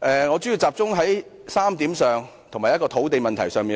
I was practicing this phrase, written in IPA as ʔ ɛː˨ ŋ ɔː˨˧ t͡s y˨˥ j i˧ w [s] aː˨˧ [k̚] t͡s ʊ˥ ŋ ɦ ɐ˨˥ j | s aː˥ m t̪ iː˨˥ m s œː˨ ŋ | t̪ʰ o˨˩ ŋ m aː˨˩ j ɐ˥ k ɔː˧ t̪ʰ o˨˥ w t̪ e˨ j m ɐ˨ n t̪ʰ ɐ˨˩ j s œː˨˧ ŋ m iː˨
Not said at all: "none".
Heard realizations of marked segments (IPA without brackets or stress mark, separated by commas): t͡s, p̚